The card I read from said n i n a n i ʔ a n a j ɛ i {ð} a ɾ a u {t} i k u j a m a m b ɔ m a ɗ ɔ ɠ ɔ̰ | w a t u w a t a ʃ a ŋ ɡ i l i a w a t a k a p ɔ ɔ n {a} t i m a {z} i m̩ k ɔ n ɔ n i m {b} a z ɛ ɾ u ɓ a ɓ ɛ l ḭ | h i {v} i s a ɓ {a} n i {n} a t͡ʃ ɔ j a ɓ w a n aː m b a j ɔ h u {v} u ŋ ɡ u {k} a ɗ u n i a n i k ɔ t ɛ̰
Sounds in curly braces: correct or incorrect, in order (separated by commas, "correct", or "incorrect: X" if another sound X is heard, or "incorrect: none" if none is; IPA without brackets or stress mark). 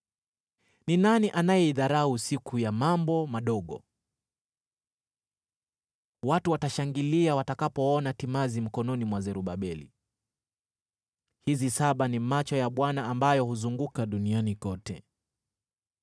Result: correct, incorrect: s, correct, correct, incorrect: w, incorrect: z, correct, incorrect: m, incorrect: z, correct